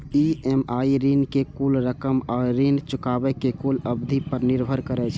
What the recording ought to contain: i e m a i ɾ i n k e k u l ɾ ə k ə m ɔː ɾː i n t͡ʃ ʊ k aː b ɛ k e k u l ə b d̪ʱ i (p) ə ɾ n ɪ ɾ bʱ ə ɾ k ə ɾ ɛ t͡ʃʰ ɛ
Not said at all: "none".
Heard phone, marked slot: p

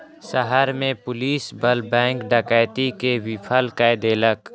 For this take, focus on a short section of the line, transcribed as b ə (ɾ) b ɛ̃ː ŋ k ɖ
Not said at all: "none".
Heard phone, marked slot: l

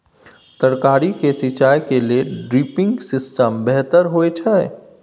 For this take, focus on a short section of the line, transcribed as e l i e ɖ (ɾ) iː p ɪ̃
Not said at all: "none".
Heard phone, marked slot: ɾ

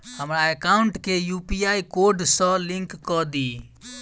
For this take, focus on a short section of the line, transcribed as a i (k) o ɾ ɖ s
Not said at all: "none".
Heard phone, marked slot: k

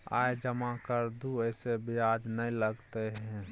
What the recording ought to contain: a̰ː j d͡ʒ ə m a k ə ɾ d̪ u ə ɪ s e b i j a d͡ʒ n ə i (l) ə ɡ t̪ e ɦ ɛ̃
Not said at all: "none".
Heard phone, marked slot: l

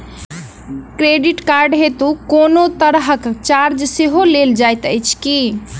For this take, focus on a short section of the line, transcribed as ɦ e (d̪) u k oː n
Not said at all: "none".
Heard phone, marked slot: t̪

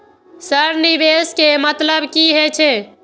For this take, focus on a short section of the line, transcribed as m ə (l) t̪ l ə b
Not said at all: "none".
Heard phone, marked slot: none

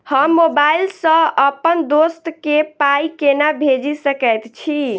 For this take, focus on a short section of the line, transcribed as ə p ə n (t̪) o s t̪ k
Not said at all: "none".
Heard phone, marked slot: d̪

